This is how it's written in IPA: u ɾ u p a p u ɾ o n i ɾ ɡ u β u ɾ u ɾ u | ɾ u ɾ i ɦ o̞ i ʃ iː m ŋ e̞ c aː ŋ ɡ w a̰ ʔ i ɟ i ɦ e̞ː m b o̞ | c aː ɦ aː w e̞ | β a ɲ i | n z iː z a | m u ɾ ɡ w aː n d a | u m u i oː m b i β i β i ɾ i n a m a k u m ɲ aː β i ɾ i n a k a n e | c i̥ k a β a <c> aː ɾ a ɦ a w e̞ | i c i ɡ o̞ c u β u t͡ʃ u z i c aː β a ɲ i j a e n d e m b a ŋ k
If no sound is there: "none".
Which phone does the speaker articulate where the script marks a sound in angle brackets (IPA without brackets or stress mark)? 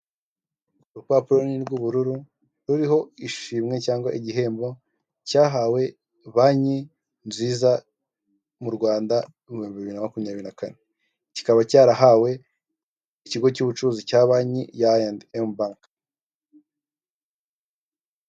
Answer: c